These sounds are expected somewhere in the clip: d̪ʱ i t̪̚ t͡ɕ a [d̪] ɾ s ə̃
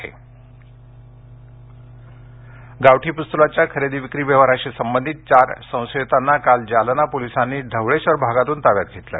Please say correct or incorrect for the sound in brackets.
incorrect